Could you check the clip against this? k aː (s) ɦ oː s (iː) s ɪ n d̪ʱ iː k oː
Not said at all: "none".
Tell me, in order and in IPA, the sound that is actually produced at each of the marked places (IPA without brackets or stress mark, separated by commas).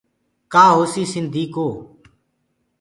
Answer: none, iː